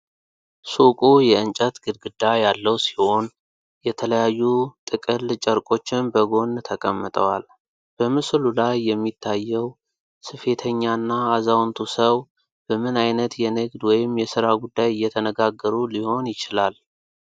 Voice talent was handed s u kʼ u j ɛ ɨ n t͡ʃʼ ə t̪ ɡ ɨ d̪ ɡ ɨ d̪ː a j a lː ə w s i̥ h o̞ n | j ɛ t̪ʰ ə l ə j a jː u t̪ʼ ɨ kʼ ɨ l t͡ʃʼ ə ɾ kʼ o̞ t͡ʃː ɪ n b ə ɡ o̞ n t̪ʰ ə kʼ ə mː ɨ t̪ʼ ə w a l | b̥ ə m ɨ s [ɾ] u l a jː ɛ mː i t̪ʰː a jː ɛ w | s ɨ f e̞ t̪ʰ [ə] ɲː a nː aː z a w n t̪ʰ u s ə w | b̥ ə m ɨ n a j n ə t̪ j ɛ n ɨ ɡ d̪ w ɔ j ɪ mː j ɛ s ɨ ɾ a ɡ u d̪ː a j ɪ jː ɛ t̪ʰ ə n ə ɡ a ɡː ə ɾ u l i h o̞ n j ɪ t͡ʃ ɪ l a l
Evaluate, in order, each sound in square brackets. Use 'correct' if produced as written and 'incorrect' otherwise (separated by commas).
incorrect, correct